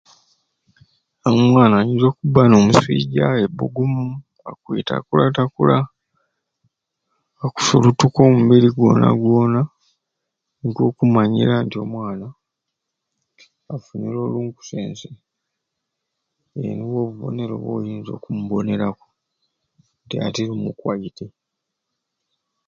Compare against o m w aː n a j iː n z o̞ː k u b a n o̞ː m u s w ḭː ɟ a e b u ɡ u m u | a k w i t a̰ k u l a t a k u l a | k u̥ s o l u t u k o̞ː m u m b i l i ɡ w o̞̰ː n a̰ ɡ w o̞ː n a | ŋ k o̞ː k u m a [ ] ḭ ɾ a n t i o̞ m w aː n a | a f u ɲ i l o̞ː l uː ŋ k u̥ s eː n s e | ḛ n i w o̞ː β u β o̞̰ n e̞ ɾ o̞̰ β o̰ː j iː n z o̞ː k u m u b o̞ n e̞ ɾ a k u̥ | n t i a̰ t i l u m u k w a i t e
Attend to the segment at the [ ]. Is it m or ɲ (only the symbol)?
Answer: ɲ